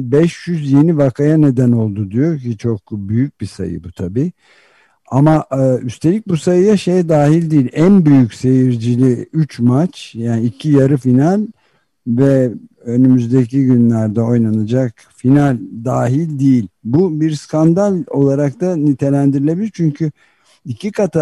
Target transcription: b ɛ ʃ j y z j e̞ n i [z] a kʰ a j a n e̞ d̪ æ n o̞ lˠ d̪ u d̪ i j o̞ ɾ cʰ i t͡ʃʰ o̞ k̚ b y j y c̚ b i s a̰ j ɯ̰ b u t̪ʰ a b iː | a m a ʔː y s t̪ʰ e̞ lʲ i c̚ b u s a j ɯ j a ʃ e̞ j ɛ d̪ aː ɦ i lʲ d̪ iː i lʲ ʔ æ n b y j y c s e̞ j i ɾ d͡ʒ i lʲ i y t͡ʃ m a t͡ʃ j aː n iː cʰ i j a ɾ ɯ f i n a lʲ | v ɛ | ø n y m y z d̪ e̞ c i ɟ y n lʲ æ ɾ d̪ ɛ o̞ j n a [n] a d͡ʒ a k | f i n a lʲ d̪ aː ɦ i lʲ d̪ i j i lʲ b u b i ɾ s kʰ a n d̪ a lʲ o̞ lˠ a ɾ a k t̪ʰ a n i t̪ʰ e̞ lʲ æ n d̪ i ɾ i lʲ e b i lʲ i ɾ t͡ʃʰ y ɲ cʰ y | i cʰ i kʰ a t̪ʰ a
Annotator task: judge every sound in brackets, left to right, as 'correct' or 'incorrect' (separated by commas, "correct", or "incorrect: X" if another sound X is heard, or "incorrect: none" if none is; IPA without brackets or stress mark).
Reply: incorrect: v, correct